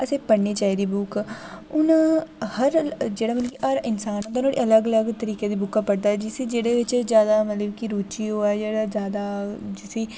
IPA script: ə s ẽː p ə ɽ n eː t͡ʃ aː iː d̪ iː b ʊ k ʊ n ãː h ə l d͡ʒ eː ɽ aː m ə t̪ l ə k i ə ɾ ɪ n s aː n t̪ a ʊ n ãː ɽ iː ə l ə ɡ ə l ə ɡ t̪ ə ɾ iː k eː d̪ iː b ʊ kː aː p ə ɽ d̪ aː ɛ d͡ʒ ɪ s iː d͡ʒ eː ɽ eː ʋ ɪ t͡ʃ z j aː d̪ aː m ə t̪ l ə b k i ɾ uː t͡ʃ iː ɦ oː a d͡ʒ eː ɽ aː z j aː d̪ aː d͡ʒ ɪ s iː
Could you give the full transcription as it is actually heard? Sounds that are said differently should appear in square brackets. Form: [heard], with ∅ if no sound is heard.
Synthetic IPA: ə s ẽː p ə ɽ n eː t͡ʃ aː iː d̪ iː b ʊ k ʊ n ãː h ə [ɾ] d͡ʒ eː ɽ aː m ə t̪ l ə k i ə ɾ ɪ n s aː n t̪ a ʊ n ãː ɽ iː ə l ə ɡ ə l ə ɡ t̪ ə ɾ iː k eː d̪ iː b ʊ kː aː p ə ɽ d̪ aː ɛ d͡ʒ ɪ s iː d͡ʒ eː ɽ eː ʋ ɪ t͡ʃ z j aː d̪ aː m ə t̪ l ə b k i ɾ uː t͡ʃ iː ɦ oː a d͡ʒ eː ɽ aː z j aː d̪ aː d͡ʒ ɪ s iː